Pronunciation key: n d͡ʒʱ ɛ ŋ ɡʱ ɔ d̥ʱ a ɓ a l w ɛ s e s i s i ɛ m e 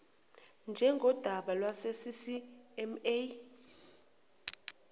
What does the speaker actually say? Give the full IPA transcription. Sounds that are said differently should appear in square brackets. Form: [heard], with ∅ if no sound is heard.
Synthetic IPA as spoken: n d͡ʒʱ ɛ ŋ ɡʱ ɔ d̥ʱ a ɓ a l w [a] s e s i s i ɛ m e